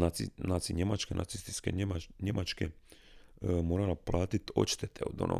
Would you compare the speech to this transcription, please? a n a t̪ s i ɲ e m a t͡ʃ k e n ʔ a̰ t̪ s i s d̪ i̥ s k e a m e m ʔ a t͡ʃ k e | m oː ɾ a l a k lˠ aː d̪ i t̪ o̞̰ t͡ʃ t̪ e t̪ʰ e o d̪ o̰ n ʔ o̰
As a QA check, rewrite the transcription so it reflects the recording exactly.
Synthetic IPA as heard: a n a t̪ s i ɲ e m a t͡ʃ k e n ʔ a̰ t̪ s i s t̪ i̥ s k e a ɲ e m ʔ a t͡ʃ k e | m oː ɾ a l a p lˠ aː t̪ i t̪ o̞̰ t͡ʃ t̪ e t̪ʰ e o d̪ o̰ n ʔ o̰